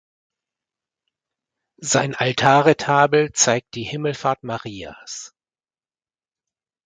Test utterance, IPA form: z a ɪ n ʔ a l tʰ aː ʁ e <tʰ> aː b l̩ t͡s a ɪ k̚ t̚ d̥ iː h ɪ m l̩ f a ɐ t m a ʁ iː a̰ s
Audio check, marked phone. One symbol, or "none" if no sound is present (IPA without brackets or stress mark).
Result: tʰ